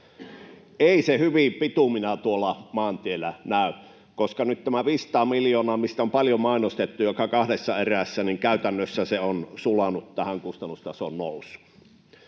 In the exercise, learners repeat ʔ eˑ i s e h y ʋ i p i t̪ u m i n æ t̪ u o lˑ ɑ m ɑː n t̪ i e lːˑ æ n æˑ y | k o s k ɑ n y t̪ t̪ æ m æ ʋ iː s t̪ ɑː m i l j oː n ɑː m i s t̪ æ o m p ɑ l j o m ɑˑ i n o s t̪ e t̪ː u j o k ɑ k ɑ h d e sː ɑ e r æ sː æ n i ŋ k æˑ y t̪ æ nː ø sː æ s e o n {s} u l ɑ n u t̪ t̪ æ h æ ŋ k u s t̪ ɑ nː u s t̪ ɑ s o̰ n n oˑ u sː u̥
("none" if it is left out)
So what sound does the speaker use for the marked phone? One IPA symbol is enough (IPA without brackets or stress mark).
s